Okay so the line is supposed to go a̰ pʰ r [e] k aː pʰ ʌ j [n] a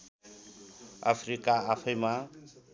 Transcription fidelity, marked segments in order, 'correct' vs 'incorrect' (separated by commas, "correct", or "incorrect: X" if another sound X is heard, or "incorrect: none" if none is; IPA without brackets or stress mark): incorrect: i, incorrect: m